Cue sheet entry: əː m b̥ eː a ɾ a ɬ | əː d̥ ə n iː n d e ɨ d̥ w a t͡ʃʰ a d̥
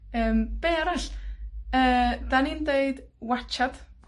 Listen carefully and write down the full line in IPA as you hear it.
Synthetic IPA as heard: əː m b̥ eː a ɾ a ɬ | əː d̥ a n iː n d e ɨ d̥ w a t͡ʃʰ a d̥